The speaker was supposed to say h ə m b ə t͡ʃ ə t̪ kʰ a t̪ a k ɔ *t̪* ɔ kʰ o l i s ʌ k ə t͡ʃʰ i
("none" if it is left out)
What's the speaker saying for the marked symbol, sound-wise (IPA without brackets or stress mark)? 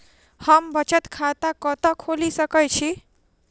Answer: t̪